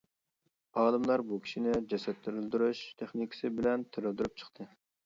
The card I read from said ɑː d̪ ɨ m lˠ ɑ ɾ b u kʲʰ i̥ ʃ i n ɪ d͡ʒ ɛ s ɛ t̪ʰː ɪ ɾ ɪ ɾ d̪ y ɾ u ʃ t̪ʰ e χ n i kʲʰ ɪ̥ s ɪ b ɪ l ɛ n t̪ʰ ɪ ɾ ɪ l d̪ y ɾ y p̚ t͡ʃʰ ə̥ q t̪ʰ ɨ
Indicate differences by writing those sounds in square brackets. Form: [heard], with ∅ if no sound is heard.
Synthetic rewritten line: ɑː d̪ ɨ m lˠ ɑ ɾ b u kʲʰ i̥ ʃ i n ɪ d͡ʒ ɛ s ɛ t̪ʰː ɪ ɾ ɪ [l] d̪ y ɾ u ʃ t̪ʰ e χ n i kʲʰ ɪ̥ s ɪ b ɪ l ɛ n t̪ʰ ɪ ɾ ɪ l d̪ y ɾ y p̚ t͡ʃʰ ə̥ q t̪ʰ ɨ